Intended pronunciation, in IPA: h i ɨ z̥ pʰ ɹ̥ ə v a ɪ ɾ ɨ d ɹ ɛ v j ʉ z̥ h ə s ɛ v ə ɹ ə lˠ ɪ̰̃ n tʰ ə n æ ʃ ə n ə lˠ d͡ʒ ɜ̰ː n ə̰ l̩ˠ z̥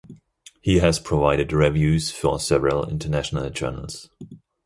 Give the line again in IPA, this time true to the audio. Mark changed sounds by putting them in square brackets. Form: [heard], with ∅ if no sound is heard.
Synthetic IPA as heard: h i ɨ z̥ pʰ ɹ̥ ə v a ɪ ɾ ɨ d ɹ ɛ v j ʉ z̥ [f] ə s ɛ v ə ɹ ə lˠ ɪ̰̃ n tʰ ə n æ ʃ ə n ə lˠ d͡ʒ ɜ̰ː n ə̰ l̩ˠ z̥